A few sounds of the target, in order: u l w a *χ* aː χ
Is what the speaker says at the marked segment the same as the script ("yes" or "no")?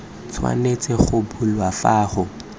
no